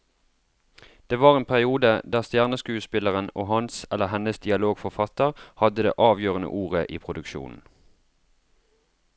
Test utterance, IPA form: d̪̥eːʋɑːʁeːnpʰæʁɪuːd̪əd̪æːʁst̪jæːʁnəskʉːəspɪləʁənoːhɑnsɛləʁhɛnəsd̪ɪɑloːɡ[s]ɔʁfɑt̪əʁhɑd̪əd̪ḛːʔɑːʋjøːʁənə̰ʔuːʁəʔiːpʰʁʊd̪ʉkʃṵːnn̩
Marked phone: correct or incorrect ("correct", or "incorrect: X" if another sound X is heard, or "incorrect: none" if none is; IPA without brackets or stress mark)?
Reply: incorrect: f